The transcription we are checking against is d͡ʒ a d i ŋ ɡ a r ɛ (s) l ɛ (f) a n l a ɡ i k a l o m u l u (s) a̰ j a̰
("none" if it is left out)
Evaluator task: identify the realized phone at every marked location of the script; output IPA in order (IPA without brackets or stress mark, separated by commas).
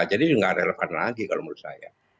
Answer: none, f, s